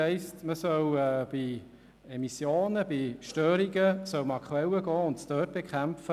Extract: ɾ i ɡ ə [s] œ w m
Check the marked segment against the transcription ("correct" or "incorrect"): correct